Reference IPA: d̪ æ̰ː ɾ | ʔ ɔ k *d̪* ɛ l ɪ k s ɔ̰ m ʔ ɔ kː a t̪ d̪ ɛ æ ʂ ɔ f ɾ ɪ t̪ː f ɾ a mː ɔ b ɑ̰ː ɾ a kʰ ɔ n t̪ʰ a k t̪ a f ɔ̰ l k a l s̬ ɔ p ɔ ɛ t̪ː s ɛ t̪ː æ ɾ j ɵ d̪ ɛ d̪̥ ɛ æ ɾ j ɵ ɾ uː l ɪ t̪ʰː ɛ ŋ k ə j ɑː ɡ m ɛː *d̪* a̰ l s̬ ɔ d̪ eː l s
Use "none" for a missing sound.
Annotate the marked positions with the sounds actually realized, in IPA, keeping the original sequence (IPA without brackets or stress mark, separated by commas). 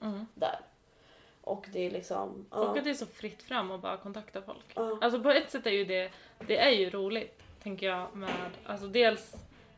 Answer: d̪, d̪